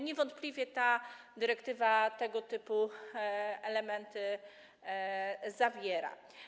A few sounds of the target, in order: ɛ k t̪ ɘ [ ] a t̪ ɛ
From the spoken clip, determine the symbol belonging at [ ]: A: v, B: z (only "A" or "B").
A